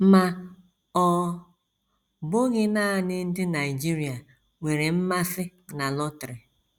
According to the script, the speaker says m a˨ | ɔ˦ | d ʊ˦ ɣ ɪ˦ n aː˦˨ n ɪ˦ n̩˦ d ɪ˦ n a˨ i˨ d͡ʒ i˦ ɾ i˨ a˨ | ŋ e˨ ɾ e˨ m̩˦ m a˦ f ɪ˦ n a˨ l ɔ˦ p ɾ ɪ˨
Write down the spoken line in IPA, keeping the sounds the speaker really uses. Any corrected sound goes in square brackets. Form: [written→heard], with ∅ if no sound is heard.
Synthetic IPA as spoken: m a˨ | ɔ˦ | [d→b] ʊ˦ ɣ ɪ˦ n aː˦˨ n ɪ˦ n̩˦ d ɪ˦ n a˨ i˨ d͡ʒ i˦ ɾ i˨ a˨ | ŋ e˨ ɾ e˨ m̩˦ m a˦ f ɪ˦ n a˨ l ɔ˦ [p→t] ɾ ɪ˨